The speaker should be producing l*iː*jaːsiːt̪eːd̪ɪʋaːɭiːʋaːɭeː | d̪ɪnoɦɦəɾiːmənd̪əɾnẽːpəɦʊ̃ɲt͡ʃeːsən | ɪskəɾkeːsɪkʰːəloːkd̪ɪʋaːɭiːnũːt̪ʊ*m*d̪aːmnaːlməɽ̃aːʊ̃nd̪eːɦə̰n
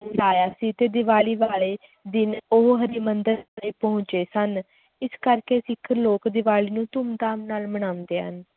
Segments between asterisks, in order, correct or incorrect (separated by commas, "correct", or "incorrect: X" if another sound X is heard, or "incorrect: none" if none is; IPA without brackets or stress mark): incorrect: aː, correct